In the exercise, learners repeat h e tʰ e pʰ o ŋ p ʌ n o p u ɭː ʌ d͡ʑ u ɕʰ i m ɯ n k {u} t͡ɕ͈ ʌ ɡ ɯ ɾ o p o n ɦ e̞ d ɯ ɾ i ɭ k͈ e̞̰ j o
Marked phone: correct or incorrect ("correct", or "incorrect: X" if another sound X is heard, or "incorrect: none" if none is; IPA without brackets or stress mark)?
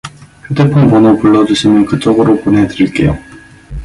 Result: incorrect: ɯ